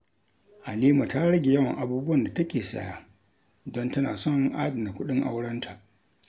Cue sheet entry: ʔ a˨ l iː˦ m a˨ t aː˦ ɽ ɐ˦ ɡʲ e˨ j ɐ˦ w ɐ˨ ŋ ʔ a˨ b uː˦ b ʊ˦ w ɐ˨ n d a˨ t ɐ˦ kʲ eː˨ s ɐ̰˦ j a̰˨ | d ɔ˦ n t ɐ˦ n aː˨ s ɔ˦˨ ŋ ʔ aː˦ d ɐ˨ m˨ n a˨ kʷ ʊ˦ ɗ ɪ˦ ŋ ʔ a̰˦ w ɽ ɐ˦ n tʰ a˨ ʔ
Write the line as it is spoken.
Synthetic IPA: ʔ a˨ l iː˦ m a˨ t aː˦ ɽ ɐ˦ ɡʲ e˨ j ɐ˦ w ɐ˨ ŋ ʔ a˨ b uː˦ b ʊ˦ w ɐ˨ n d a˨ t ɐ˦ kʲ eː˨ s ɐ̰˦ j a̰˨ | d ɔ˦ n t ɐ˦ n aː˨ s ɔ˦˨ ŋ ʔ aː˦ d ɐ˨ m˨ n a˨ kʷ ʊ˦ ɗ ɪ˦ ŋ ʔ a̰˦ w ɽ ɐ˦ n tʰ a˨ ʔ

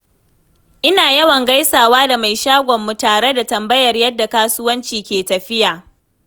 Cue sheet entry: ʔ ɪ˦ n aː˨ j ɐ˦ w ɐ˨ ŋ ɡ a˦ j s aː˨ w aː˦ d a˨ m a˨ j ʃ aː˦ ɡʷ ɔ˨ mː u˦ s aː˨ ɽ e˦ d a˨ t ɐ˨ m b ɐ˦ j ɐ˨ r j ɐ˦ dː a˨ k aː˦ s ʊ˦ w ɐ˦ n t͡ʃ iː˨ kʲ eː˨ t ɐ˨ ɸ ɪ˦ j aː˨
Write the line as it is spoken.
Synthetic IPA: ʔ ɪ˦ n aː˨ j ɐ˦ w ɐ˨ ŋ ɡ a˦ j s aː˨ w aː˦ d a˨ m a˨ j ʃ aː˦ ɡʷ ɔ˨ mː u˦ t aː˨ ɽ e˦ d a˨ t ɐ˨ m b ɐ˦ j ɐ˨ r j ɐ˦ dː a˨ k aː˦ s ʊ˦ w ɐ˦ n t͡ʃ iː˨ kʲ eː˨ t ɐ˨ ɸ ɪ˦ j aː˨

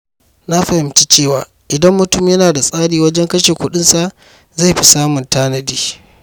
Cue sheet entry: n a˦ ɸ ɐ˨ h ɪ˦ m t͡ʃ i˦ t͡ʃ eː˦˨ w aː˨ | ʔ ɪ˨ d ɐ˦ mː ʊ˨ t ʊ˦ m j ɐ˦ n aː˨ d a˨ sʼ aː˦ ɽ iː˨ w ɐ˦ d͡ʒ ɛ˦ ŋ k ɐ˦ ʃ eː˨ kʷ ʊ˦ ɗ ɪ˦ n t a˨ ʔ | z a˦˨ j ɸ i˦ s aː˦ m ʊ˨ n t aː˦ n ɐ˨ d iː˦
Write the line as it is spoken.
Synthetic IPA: n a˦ ɸ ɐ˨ h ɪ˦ m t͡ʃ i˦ t͡ʃ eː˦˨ w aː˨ | ʔ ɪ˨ d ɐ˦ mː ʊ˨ t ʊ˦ m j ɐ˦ n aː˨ d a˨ sʼ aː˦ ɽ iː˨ w ɐ˦ d͡ʒ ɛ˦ ŋ k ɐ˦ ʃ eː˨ kʷ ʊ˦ ɗ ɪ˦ n s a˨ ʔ | z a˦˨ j ɸ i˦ s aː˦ m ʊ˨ n t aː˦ n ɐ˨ d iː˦

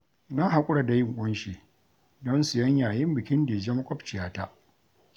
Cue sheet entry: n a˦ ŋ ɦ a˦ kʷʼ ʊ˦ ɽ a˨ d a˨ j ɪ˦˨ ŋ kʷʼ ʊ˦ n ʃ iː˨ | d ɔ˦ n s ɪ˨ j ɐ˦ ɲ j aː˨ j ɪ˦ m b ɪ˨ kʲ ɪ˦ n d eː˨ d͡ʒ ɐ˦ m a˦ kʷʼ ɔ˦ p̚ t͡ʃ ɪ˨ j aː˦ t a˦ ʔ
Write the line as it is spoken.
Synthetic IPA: n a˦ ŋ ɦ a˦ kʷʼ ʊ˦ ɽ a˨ d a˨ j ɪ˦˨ ŋ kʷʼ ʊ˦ n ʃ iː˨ | d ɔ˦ n s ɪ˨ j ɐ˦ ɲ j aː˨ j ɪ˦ m b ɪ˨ kʲ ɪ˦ n d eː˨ d͡ʒ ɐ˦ m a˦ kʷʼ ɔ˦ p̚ t͡ʃ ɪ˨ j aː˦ t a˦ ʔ

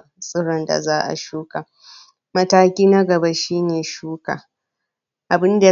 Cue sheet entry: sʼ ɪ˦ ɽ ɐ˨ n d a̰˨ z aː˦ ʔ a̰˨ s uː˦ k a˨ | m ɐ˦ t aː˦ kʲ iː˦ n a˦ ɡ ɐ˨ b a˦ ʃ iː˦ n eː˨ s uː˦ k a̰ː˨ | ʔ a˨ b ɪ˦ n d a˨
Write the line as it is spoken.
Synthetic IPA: sʼ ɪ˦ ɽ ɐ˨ n d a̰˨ z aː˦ ʔ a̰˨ ʃ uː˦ k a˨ | m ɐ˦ t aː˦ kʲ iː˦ n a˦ ɡ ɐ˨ b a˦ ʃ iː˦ n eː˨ ʃ uː˦ k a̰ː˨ | ʔ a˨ b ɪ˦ n d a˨

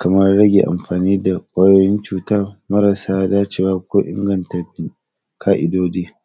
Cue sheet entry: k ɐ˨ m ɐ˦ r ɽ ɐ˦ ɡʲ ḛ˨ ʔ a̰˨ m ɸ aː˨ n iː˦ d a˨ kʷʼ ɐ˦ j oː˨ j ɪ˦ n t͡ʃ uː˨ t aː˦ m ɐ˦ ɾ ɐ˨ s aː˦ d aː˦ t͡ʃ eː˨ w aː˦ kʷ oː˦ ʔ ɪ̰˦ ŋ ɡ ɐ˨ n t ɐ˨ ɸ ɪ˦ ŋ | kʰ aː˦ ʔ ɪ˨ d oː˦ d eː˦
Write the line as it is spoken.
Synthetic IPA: k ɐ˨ m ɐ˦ r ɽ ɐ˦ ɡʲ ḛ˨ ʔ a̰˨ m ɸ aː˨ n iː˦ d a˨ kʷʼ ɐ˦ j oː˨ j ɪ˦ n t͡ʃ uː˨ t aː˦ m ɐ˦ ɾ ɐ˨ s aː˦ d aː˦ t͡ʃ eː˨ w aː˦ kʷ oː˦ ʔ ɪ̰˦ ŋ ɡ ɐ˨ n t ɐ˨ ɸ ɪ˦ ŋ | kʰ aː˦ ʔ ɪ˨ d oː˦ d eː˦

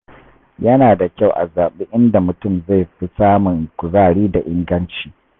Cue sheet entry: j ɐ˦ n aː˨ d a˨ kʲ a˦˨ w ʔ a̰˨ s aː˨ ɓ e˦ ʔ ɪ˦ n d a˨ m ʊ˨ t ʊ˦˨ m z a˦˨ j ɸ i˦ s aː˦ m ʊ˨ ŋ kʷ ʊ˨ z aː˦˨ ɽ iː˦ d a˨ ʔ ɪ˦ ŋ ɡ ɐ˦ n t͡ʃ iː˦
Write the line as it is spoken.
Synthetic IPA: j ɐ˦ n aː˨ d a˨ kʲ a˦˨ w ʔ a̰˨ z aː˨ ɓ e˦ ʔ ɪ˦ n d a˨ m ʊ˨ t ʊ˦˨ m z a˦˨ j ɸ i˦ s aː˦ m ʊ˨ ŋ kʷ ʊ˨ z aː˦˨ ɽ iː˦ d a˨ ʔ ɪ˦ ŋ ɡ ɐ˦ n t͡ʃ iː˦

